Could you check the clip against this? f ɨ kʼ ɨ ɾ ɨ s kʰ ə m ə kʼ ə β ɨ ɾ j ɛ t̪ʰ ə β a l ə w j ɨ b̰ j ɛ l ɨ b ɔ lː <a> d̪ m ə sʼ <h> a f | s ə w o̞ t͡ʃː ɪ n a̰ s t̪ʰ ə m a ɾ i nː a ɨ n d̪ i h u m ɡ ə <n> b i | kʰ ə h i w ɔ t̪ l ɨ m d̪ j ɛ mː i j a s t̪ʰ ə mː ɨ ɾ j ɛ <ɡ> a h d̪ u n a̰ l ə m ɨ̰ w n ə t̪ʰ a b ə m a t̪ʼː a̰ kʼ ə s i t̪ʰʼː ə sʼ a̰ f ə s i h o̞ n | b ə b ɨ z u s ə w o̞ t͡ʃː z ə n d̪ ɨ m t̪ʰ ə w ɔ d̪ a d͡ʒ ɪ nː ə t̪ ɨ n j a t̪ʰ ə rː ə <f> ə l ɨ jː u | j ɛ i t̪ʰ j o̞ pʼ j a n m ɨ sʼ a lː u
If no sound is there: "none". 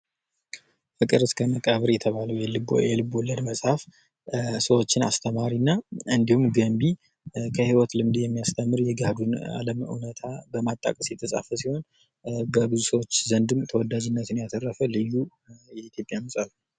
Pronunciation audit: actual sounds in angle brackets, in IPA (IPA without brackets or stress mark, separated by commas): ə, h, m, ɡ, f